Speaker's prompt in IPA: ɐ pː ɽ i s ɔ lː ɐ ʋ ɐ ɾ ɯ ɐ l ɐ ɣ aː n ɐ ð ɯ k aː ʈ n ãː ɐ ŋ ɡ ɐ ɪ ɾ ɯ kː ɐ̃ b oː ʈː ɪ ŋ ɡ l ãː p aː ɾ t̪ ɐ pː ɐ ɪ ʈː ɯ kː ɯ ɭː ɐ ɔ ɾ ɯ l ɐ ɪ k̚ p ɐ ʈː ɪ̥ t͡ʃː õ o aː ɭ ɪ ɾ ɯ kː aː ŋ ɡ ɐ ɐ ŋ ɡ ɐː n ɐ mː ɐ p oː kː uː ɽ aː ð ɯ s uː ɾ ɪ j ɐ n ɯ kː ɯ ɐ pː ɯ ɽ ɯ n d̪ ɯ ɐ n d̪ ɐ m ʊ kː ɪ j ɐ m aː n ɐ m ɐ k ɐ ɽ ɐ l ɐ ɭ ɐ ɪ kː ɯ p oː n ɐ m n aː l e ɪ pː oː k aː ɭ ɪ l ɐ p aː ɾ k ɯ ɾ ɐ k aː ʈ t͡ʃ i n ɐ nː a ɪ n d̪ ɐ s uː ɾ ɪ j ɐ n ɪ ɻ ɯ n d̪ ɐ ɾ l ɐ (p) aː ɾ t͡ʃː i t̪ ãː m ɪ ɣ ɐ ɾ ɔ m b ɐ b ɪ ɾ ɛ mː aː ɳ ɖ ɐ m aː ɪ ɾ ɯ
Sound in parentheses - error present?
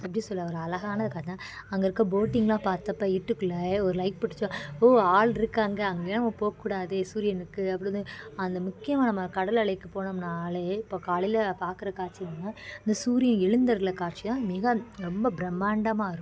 yes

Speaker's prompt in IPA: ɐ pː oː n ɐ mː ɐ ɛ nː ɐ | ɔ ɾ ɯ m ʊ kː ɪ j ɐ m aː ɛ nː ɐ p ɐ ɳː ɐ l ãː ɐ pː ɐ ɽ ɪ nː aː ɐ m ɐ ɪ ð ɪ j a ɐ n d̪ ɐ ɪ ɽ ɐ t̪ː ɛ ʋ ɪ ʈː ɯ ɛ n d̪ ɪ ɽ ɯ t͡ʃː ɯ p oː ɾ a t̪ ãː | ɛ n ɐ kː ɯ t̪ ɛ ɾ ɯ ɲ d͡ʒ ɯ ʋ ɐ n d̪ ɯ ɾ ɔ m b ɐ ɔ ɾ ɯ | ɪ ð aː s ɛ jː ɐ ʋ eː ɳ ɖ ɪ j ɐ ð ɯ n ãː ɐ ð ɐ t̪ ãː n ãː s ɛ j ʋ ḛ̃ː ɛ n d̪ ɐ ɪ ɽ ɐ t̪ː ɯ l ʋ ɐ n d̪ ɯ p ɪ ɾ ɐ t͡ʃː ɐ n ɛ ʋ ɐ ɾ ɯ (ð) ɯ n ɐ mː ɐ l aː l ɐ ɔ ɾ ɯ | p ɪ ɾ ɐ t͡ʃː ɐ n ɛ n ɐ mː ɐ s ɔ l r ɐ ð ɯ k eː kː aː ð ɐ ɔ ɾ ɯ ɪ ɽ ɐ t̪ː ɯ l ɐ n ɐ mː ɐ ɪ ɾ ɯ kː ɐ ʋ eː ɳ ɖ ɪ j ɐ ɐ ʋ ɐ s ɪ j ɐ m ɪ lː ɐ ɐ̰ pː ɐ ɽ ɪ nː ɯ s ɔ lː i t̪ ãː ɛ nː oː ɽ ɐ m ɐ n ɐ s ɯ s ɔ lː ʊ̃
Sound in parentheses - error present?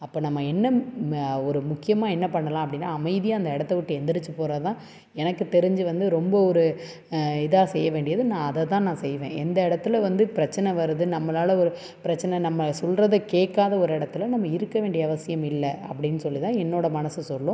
no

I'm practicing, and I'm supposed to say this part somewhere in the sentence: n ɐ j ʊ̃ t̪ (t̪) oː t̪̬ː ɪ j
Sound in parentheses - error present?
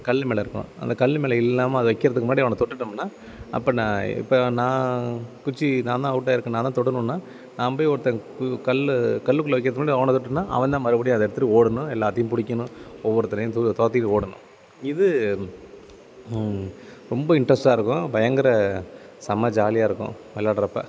no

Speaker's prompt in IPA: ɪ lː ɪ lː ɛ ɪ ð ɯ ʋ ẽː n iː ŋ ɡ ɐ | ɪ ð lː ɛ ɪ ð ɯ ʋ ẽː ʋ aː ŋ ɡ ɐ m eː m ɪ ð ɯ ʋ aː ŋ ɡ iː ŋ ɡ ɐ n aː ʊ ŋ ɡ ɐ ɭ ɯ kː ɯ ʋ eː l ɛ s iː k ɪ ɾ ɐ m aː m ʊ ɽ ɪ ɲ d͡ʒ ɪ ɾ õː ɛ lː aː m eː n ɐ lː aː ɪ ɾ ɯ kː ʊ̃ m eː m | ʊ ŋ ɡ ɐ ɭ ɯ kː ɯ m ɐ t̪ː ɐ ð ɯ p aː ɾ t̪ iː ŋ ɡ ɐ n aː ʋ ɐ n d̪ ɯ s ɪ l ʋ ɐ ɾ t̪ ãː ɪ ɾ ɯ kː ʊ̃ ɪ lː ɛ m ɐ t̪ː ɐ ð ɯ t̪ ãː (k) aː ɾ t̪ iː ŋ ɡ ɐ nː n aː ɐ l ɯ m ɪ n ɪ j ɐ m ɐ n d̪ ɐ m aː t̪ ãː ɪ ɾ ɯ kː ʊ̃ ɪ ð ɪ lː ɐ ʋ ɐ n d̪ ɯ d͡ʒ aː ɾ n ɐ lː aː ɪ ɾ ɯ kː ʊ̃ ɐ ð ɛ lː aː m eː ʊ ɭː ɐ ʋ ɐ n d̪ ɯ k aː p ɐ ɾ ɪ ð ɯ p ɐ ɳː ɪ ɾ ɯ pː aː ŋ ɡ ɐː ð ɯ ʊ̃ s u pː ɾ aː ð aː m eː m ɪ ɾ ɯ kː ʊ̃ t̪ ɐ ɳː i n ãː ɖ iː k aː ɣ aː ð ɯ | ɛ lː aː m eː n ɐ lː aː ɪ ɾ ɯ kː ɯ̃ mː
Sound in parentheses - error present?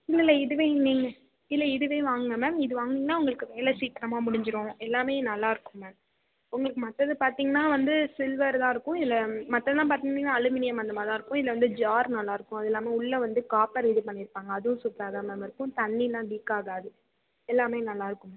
yes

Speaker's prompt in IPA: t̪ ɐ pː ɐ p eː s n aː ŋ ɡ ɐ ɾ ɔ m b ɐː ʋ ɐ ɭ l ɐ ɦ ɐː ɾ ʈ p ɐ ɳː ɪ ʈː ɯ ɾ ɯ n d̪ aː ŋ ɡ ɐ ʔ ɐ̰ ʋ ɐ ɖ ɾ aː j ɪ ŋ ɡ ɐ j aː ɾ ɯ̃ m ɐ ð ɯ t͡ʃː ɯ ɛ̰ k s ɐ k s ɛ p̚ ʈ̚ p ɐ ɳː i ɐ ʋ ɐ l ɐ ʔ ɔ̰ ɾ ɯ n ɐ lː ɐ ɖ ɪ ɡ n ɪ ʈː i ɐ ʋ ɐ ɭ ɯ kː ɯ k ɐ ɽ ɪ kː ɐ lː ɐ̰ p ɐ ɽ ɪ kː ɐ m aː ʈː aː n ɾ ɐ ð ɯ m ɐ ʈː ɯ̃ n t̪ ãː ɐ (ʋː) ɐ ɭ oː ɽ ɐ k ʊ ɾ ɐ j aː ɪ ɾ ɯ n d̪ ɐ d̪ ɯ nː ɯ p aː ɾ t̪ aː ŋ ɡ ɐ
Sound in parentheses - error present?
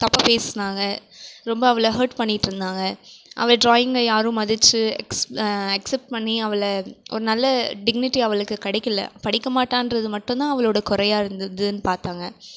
yes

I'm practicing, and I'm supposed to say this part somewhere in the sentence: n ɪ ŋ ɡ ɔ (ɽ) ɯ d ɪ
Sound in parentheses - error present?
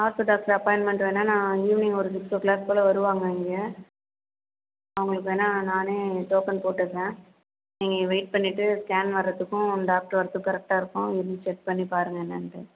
yes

